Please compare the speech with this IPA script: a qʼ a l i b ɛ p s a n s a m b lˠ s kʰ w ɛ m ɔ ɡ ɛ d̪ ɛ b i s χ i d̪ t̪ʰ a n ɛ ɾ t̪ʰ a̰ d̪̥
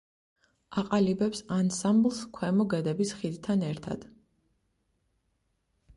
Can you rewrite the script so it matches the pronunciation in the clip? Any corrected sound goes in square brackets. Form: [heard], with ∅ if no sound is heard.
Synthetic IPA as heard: a qʼ a l i b ɛ p s a n s a m b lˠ s kʰ w ɛ m ɔ ɡ ɛ d̪ ɛ b i s χ i d̪ t̪ʰ a n ɛ ɾ t̪ʰ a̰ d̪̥